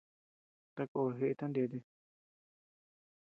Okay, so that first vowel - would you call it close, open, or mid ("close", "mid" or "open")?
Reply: open